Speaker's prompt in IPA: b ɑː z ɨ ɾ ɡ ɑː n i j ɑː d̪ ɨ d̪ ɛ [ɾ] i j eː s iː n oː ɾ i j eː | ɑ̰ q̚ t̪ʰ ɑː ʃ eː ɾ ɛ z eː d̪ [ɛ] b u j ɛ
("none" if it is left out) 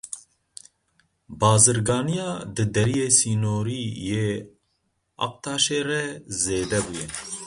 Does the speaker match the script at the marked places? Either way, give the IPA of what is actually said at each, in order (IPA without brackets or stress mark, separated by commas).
ɾ, ɛ